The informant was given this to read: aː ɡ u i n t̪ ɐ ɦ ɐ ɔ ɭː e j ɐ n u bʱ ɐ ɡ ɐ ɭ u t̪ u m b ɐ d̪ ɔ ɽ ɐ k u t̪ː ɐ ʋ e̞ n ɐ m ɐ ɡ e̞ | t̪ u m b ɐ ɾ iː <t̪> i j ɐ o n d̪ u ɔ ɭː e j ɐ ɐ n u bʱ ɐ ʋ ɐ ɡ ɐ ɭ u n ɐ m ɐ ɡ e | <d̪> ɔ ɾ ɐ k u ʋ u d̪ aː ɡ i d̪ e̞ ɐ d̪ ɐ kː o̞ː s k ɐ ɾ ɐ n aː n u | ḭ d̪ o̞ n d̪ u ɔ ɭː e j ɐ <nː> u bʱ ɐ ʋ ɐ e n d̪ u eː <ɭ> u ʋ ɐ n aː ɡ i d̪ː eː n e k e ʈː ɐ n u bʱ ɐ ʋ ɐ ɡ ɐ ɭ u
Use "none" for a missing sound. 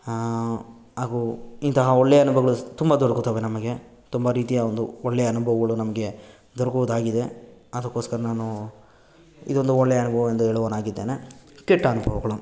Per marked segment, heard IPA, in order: t̪, d̪, n, ɭ

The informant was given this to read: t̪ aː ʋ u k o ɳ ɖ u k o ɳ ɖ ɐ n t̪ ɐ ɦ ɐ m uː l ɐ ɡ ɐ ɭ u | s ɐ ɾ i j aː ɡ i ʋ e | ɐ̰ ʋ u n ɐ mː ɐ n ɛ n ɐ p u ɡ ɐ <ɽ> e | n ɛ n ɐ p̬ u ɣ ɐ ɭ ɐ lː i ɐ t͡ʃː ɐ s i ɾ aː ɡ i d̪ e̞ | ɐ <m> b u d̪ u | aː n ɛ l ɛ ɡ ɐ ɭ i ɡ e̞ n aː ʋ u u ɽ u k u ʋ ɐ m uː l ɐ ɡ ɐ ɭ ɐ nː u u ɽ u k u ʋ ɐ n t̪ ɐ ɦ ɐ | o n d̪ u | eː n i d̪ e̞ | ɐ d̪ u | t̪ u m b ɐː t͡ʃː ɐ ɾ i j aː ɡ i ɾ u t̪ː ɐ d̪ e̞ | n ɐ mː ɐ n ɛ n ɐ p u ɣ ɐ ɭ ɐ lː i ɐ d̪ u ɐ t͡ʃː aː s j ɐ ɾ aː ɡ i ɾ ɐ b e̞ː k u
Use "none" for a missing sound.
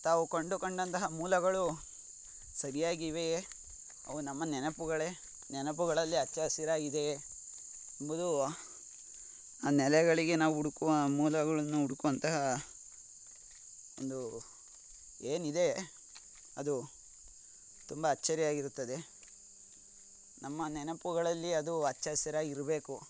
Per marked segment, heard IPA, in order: ɭ, m

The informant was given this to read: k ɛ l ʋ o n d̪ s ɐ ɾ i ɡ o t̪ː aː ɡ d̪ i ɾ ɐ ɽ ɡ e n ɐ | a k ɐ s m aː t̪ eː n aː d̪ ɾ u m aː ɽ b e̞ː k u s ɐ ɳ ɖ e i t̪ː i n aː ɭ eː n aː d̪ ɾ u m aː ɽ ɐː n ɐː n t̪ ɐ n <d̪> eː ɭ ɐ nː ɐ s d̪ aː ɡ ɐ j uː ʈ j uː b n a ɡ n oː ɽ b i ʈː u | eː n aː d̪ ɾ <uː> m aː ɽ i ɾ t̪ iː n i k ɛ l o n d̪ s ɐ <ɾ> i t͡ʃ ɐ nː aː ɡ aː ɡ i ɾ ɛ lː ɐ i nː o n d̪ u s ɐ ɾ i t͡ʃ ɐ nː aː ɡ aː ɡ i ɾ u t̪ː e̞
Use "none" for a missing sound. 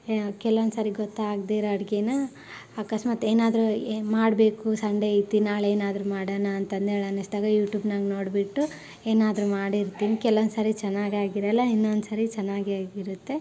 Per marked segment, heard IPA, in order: d̪, u, ɾ

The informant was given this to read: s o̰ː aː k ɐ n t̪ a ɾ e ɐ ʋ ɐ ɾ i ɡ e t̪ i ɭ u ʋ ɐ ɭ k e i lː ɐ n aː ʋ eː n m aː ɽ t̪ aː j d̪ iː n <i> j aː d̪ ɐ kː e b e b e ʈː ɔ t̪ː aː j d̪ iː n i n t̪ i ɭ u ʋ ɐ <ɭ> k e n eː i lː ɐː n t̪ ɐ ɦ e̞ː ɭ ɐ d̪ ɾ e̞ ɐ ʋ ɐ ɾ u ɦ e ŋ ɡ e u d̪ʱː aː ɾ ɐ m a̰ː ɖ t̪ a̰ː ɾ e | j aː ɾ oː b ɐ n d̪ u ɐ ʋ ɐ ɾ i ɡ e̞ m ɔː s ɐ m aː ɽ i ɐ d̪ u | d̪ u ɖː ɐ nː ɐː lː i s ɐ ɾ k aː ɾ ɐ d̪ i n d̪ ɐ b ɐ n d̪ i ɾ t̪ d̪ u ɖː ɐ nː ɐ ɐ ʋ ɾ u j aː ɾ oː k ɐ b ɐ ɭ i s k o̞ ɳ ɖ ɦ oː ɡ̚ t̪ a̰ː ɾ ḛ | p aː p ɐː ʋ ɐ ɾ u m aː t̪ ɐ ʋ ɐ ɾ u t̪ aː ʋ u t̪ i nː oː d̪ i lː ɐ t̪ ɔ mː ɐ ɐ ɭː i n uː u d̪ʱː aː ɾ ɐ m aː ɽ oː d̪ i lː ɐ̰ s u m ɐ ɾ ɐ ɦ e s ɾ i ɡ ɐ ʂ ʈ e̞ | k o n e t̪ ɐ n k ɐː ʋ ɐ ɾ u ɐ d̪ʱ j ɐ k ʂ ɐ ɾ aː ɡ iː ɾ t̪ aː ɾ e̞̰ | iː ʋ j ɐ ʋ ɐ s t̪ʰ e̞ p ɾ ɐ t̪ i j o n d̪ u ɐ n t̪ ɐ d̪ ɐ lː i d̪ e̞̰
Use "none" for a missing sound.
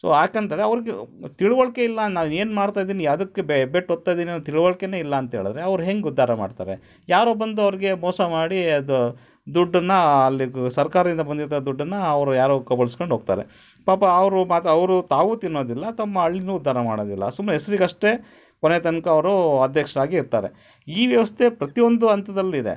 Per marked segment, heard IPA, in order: i, ɭ

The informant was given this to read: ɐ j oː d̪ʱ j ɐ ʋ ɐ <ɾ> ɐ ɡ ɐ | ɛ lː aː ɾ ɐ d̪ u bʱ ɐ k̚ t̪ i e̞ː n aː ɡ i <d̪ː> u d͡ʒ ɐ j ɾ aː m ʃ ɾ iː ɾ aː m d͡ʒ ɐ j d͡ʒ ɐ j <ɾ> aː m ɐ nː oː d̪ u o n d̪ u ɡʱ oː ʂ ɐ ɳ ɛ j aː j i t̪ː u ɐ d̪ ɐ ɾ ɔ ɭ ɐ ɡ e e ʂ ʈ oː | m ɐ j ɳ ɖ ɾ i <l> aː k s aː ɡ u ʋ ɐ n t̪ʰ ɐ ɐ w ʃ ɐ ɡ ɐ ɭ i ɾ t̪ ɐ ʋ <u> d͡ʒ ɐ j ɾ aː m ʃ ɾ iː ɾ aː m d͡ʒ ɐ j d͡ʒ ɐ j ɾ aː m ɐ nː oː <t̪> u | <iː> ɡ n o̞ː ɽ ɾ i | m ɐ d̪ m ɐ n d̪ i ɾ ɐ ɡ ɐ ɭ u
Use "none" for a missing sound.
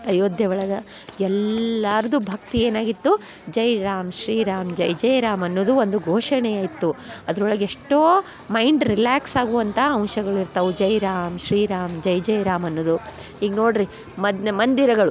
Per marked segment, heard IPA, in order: ɭ, t̪ː, ɾ, l, u, d̪, iː

